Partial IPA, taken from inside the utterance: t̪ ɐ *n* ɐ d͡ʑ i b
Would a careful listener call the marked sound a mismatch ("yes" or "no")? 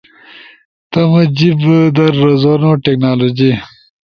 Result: yes